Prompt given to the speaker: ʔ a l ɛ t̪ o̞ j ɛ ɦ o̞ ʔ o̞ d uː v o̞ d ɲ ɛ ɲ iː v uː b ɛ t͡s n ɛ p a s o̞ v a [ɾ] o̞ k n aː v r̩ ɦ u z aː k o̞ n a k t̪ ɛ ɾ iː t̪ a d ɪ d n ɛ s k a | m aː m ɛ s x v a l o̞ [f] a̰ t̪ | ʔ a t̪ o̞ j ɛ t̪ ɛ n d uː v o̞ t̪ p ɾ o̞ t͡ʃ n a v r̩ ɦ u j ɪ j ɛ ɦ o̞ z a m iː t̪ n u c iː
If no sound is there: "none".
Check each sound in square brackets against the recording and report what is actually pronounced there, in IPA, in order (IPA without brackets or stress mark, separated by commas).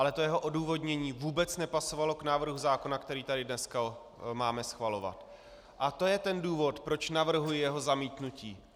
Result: l, v